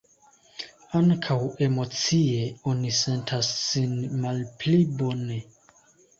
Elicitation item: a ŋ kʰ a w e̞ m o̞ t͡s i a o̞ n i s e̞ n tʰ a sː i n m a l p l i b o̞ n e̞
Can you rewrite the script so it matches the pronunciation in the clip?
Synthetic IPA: a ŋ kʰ a w e̞ m o̞ t͡s i e o̞ n i s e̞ n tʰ a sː i n m a l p l i b o̞ n e̞

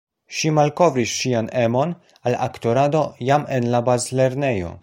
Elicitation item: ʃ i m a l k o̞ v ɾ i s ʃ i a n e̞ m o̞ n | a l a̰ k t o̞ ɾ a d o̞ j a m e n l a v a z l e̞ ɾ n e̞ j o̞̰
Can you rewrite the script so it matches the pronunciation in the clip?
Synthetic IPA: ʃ i m a l k o̞ v ɾ i s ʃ i a n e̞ m o̞ n | a l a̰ k t o̞ ɾ a d o̞ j a m e n l a b a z l e̞ ɾ n e̞ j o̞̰

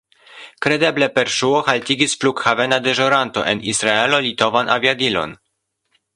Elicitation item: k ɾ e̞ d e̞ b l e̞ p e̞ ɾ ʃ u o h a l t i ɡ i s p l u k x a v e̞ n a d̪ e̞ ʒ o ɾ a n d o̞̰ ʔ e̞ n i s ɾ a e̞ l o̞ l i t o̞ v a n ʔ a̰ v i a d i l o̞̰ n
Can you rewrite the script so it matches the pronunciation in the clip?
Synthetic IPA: k ɾ e̞ d e̞ b l e̞ p e̞ ɾ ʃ u o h a l t i ɡ i s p l u k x a v e̞ n a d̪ e̞ ʒ o ɾ a n t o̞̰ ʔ e̞ n i s ɾ a e̞ l o̞ l i t o̞ v a n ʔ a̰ v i a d i l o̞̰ n

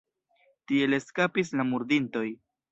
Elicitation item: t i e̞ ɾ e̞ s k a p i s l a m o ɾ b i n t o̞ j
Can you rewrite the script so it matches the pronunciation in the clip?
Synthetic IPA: t i e̞ l e̞ s k a p i s l a m u ɾ d i n t o̞ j

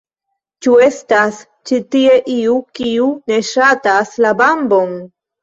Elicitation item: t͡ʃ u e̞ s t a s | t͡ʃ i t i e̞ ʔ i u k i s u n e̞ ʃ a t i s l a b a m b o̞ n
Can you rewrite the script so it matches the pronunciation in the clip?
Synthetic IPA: t͡ʃ u e̞ s t a s | t͡ʃ i t i e̞ ʔ i u k i u n e̞ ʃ a t a s l a b a m b o̞ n

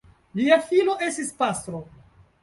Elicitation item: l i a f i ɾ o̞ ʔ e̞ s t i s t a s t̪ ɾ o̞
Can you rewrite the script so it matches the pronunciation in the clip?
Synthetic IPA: l i a f i l o̞ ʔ e̞ s t i s p a s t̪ ɾ o̞

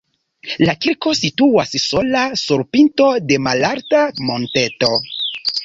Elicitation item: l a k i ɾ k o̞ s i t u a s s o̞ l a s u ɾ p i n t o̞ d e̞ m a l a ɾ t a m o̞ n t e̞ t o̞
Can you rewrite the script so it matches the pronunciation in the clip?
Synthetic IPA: l a k i ɾ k o̞ s i t u a s s o̞ l a s u ɾ p i n t o̞ d e̞ m a l a ɾ t a m o̞ n t e̞ t o̞

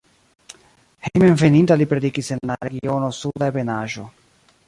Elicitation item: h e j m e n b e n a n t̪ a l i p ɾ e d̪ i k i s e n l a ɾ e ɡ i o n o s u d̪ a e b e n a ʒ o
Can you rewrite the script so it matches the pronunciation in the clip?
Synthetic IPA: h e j m e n v e n i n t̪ a l i p ɾ e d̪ i k i s e n l a ɾ e ɡ i o n o s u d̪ a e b e n a ʒ o

